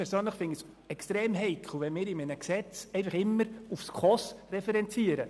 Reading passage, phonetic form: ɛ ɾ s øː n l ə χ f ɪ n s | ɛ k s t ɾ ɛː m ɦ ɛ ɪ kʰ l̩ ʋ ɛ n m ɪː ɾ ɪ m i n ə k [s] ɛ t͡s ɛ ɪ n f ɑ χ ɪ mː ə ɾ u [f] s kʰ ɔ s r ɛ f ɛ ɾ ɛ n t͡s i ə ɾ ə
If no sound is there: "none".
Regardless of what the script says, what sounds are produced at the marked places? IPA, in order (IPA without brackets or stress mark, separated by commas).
s, f